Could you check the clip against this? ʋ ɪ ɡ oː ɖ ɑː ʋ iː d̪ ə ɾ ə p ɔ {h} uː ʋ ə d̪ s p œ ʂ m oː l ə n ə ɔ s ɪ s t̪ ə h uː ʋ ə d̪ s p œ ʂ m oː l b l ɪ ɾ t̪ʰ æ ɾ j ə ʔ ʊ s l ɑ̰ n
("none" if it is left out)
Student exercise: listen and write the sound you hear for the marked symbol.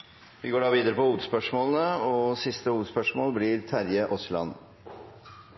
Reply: h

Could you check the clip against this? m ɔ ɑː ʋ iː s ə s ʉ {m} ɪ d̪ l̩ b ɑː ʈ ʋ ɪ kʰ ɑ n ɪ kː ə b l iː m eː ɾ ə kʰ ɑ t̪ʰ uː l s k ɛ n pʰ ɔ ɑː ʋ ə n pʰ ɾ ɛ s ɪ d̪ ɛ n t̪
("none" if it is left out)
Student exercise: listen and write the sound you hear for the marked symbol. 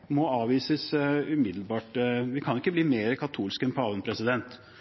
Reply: m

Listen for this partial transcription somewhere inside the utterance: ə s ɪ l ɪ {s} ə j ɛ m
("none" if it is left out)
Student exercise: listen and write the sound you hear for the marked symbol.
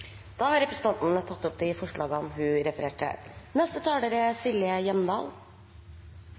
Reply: none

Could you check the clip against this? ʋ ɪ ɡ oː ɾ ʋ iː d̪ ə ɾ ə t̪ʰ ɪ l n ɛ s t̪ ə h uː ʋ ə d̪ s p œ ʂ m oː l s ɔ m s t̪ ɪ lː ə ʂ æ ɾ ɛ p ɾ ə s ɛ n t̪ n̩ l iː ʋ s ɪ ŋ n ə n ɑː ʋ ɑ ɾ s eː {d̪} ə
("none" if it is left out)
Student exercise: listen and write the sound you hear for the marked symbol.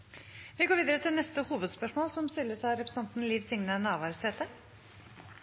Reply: t̪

